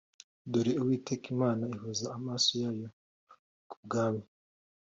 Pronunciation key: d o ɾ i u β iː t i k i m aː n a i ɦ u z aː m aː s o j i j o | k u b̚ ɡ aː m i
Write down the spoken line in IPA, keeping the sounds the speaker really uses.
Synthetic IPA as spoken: d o ɾ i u w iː t e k i m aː n a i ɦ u z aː m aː s o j a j o | k u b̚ ɡ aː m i